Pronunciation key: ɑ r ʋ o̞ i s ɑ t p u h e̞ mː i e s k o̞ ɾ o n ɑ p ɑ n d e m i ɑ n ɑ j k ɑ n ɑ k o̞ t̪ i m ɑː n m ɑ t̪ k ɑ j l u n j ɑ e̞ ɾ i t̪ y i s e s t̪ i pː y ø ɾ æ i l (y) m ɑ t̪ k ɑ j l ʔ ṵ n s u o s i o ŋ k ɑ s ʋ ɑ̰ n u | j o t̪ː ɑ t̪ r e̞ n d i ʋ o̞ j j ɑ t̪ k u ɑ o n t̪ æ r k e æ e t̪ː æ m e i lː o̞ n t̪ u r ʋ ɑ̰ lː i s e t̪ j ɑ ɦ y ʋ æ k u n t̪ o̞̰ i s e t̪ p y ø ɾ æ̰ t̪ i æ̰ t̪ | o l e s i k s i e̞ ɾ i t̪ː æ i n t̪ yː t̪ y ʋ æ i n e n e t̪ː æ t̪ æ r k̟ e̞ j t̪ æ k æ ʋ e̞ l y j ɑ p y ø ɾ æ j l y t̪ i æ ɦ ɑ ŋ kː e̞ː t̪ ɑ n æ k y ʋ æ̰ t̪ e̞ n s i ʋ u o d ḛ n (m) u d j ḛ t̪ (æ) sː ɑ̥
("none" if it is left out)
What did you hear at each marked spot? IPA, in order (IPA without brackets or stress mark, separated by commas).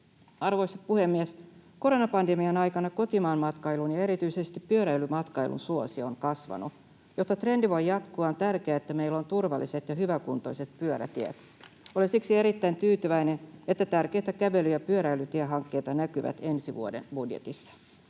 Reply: y, b, i